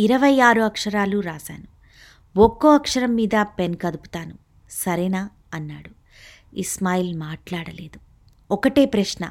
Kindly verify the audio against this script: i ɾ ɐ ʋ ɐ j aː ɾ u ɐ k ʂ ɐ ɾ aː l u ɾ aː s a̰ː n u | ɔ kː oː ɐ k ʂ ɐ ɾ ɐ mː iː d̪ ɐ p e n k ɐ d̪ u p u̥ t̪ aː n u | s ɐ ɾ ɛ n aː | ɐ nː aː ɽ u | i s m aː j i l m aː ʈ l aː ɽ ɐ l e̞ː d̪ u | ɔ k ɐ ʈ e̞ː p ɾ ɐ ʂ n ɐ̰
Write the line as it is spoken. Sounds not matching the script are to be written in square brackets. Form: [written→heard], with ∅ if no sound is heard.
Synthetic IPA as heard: i ɾ ɐ ʋ ɐ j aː ɾ u ɐ k ʂ ɐ ɾ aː l u ɾ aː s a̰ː n u | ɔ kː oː ɐ k ʂ ɐ ɾ ɐ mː iː d̪ ɐ p e n k ɐ d̪ u p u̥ t̪ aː n u | s ɐ ɾ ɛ n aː | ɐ nː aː ɽ u | i s m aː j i l m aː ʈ l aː ɽ ɐ l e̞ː d̪ u | ɔ k ɐ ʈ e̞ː p ɾ ɐ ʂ n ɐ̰